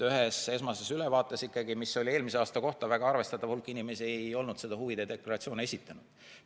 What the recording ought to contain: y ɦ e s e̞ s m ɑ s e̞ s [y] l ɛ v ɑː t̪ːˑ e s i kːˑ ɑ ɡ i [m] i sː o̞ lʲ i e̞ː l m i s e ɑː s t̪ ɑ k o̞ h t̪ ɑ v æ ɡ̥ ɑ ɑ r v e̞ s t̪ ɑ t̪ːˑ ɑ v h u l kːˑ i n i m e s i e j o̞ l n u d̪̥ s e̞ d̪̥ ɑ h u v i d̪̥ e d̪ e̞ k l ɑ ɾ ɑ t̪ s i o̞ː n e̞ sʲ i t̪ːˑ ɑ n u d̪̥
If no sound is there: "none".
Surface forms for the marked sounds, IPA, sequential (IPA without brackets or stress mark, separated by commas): y, m